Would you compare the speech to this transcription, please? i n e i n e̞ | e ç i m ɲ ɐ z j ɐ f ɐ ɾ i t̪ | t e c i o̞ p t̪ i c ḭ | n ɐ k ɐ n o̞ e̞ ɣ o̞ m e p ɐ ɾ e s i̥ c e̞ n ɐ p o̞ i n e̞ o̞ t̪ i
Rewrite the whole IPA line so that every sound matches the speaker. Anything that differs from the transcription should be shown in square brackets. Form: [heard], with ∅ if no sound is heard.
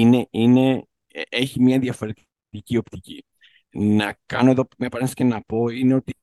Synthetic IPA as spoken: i n e i n e̞ | e ç i m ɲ ɐ [ð] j ɐ f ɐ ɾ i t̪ | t [i] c i o̞ p t̪ i c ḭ | n ɐ k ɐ n o̞ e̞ [ð] o̞ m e p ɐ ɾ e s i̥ c e̞ n ɐ p o̞ i n e̞ o̞ t̪ i